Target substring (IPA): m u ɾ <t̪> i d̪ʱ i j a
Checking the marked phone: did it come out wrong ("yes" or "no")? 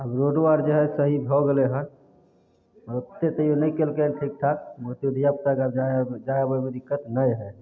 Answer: no